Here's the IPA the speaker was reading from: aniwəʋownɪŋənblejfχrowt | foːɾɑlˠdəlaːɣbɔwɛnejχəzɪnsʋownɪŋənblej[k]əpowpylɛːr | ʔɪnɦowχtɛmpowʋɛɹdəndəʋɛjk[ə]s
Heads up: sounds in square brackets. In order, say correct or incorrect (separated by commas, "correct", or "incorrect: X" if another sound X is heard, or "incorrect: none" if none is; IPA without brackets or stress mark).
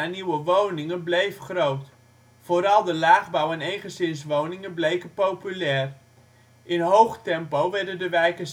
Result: correct, correct